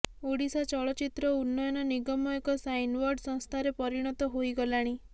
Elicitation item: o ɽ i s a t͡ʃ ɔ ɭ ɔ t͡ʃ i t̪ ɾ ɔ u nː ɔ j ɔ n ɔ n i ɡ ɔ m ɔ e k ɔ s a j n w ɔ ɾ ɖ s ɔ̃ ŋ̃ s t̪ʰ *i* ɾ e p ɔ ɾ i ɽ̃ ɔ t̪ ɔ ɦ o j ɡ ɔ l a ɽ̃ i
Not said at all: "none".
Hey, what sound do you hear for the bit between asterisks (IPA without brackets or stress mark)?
a